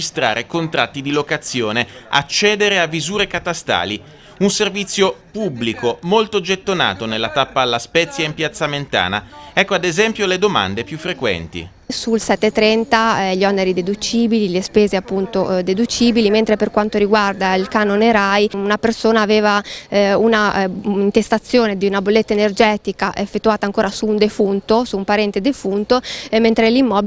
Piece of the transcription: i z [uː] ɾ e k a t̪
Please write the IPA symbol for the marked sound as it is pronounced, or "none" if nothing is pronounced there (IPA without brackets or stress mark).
uː